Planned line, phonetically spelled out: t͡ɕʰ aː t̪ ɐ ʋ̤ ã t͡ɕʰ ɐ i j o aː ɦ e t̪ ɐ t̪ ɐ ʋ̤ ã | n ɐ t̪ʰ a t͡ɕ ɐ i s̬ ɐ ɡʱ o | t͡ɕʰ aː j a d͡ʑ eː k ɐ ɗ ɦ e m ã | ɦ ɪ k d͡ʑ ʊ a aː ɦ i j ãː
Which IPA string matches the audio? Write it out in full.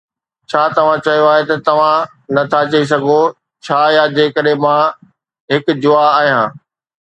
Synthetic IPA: t͡ɕʰ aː t̪ ɐ ʋ̤ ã t͡ɕ ɐ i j o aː ɦ e t̪ ɐ t̪ ɐ ʋ̤ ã | n ɐ t̪ʰ a t͡ɕ ɐ i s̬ ɐ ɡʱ o | t͡ɕʰ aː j a d͡ʑ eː k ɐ ɗ ɦ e m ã | ɦ ɪ k d͡ʑ ʊ a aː ɦ i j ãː